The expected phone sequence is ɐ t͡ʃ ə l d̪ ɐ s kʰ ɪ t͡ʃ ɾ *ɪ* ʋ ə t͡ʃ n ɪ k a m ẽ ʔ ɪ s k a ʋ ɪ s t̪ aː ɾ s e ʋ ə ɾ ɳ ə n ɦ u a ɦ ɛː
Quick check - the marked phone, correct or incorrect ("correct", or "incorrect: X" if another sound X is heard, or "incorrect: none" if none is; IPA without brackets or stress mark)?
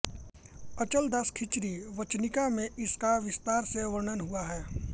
incorrect: i